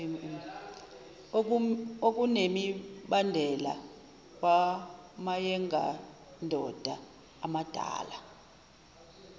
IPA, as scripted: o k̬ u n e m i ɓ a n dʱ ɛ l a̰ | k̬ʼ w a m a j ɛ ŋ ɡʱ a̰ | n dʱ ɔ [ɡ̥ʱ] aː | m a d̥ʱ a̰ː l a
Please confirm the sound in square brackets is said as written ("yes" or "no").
no